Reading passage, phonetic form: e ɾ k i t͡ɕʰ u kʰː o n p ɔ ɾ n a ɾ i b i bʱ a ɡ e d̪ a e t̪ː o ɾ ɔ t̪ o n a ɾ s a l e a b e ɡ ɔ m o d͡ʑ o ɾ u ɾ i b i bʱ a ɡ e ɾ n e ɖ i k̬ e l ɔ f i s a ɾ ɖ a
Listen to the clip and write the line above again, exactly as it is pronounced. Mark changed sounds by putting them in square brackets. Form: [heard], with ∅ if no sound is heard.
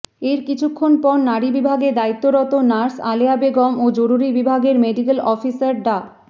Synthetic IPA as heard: e ɾ k i t͡ɕʰ u kʰː o n p ɔ ɾ n a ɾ i b i bʱ a ɡ e d̪ a [i] t̪ː o ɾ ɔ t̪ o n a ɾ s a l e a b e ɡ ɔ m o d͡ʑ o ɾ u ɾ i b i bʱ a ɡ e ɾ [m] e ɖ i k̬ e l ɔ f i s a ɾ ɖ a